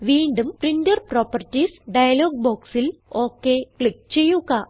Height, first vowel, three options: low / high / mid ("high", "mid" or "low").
high